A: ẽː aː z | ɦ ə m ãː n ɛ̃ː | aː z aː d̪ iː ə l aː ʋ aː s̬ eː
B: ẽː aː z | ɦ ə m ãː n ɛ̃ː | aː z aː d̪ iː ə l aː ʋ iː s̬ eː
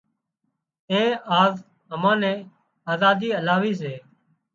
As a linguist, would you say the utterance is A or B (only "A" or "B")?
B